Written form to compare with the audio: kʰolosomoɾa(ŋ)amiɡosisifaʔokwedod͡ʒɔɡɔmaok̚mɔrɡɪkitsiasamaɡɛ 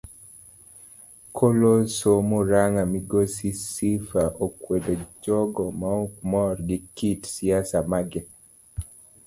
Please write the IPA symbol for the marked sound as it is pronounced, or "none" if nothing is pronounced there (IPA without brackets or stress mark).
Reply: ŋ